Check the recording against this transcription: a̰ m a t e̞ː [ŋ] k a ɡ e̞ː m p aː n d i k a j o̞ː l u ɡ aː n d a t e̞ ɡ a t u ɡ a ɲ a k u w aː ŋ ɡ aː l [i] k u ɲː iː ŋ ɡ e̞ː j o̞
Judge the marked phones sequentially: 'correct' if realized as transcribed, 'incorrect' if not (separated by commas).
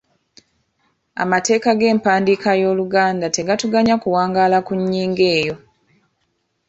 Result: incorrect, incorrect